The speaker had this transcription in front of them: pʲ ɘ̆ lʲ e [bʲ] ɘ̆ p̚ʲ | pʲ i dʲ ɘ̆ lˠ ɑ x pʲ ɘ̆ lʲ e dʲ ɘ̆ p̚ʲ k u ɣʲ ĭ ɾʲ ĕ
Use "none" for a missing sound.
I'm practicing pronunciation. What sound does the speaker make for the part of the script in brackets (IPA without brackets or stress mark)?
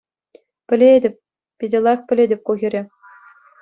dʲ